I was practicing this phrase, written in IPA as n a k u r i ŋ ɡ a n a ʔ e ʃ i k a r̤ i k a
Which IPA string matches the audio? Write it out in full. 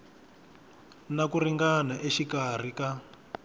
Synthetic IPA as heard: n a k u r i ŋ ɡ a n a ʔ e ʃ i k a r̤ i k a